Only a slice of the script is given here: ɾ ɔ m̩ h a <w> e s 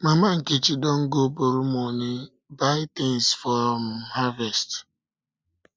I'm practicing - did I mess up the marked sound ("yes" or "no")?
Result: yes